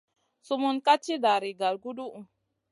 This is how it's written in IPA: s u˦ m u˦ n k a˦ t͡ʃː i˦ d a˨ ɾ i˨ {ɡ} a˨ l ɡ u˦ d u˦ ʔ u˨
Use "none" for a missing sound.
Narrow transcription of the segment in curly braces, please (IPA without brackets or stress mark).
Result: ɡ